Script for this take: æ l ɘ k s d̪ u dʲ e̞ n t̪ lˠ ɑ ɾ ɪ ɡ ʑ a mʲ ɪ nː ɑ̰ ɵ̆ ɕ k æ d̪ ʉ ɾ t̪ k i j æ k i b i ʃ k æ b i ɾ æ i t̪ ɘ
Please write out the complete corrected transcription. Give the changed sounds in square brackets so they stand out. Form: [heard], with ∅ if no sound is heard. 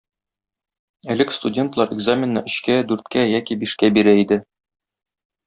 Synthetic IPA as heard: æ l ɘ k s [t̪] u dʲ e̞ n t̪ lˠ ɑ ɾ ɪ ɡ [z] a mʲ ɪ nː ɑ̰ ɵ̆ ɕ k æ d̪ ʉ ɾ t̪ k [æ] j æ k i b i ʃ k æ b i ɾ æ i [d̪] ɘ